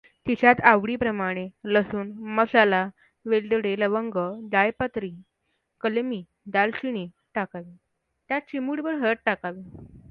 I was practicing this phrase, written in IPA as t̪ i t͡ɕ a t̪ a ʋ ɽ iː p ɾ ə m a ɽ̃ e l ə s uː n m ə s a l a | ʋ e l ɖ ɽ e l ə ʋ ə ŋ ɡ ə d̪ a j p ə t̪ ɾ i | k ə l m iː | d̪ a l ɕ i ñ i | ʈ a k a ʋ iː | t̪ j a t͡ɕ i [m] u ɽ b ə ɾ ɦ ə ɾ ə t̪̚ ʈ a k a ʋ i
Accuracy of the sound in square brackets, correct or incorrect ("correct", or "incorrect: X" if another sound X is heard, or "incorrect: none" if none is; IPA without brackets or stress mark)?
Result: correct